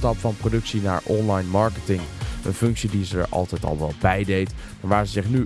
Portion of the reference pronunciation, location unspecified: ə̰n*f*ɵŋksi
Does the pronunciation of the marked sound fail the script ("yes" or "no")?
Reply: no